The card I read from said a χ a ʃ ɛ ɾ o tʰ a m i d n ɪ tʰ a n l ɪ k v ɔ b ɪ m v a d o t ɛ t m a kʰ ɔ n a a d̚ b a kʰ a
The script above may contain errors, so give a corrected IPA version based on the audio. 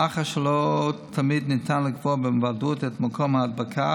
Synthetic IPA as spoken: a χ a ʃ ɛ l o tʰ a m i d n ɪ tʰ a n l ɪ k v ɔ b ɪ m v a d u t ɛ t m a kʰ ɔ m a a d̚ b a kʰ a